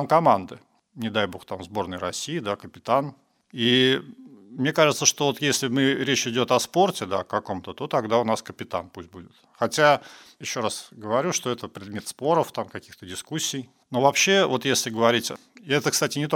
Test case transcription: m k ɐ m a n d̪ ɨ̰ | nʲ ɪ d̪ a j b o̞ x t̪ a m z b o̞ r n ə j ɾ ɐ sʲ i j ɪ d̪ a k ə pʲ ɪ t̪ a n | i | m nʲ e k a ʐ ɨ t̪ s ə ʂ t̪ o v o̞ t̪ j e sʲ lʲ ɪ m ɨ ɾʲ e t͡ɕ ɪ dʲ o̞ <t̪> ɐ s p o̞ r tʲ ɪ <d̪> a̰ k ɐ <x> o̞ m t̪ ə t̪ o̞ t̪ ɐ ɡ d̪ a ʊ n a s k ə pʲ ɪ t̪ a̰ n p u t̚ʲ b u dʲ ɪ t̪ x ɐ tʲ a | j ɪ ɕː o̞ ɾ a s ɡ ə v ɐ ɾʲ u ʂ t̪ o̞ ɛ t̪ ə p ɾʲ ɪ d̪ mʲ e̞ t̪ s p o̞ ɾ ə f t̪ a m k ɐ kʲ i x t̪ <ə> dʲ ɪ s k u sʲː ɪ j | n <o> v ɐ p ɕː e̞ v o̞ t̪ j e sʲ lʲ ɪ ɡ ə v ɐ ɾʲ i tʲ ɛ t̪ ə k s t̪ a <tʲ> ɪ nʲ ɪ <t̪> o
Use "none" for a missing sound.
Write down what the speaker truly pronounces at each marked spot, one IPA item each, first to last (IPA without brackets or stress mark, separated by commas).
t̪, d̪, k, ə, o, tʲ, t̪